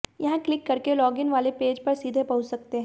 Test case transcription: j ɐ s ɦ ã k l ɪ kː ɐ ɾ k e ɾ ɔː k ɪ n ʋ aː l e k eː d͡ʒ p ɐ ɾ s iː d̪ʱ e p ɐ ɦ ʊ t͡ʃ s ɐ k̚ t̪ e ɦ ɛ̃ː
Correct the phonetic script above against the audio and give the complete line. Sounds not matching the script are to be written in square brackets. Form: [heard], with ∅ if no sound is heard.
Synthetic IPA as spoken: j ɐ [∅] ɦ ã k l ɪ kː ɐ ɾ k e [l] ɔː [ɡ] ɪ n ʋ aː l e [p] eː d͡ʒ p ɐ ɾ s iː d̪ʱ e p ɐ ɦ ʊ t͡ʃ s ɐ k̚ t̪ e ɦ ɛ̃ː